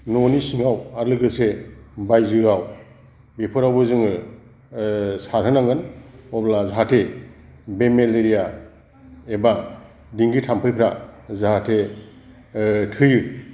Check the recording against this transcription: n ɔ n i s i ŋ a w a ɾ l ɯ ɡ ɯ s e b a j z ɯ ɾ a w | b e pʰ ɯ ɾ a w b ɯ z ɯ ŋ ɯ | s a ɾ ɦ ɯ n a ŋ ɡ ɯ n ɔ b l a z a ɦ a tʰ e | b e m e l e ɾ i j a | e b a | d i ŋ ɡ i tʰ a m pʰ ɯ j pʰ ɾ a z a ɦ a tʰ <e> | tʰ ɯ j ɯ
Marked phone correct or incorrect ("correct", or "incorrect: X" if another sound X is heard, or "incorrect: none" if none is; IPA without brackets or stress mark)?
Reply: correct